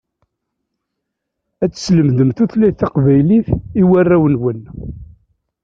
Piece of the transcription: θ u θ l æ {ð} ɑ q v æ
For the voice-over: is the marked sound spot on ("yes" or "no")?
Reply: no